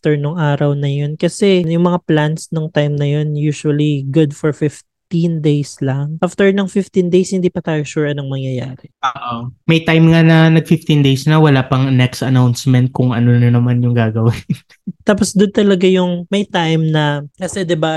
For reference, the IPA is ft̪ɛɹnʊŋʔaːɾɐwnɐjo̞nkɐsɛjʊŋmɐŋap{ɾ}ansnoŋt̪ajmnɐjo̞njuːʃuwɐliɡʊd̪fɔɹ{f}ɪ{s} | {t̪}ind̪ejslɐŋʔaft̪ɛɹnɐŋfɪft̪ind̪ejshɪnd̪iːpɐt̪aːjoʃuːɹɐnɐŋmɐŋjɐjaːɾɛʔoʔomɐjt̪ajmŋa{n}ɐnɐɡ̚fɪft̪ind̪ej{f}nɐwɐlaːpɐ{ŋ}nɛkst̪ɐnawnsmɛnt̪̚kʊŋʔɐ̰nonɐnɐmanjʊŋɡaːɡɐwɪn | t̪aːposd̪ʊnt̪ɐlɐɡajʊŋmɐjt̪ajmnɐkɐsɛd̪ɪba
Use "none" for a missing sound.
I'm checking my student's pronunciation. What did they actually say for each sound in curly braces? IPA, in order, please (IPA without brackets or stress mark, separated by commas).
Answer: l, f, f, t̪, n, s, ŋ